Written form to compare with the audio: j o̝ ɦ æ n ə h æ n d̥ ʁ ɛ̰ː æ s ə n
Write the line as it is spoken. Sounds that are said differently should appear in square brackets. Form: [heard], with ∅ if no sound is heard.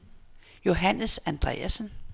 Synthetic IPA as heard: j o̝ ɦ æ n ə [s] æ n d̥ ʁ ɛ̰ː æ s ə n